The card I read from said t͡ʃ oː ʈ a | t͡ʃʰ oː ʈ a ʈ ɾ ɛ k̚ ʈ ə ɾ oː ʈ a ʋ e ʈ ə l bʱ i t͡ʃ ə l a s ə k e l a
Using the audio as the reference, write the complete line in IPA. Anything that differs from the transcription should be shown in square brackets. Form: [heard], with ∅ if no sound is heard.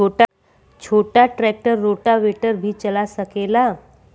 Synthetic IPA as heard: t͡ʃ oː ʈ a | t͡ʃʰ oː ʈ a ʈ ɾ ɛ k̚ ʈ ə [ɾː] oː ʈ a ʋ e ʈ ə [ɾ] bʱ i t͡ʃ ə l a s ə k e l a